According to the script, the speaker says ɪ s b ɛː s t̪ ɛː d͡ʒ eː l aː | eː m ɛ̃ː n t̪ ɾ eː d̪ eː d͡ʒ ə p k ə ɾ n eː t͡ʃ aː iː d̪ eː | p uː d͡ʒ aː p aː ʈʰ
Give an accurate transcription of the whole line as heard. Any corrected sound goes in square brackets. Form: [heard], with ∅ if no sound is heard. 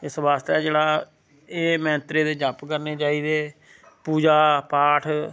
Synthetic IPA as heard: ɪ s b [aː] s t̪ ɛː d͡ʒ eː [ɽ] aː | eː m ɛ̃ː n t̪ ɾ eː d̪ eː d͡ʒ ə p k ə ɾ n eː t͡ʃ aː iː d̪ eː | p uː d͡ʒ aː p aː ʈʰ

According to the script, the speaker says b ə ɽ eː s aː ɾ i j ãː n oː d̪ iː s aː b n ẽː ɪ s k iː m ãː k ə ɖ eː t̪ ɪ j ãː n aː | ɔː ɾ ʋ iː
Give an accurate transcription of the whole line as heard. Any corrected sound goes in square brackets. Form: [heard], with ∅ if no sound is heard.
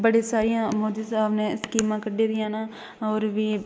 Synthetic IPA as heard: b ə ɽ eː s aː ɾ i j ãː [m] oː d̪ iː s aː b n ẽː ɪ s k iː m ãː k ə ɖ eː [d̪] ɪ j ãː n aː | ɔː ɾ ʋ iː

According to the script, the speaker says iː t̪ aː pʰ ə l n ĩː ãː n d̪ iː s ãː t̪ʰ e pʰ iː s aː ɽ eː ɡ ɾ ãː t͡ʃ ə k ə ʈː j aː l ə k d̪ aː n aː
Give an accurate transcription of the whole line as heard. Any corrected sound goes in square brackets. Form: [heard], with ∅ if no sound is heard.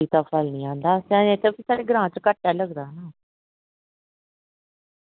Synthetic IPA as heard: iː t̪ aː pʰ ə l n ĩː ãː n d̪ [aː] s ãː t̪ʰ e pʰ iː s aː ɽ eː ɡ ɾ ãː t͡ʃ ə k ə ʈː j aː l ə [ɡ] d̪ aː n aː

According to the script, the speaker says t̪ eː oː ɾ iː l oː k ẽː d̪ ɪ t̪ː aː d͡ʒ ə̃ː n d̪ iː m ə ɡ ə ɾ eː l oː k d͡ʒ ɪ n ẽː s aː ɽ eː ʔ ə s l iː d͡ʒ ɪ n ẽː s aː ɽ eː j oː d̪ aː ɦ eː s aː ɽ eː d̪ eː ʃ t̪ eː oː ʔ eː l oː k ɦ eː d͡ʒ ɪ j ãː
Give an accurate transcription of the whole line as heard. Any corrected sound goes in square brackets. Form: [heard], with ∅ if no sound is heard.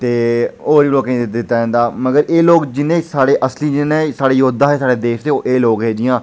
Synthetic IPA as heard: t̪ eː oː ɾ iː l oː k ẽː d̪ ɪ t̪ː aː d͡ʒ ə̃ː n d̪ [aː] m ə ɡ ə ɾ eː l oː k d͡ʒ ɪ n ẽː s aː ɽ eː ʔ ə s l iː d͡ʒ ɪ n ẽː s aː ɽ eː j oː d̪ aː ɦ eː s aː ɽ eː d̪ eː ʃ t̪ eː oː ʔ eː l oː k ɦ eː d͡ʒ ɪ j ãː

